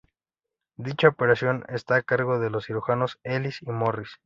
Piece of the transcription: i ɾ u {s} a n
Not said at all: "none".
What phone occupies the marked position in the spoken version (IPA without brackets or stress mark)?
x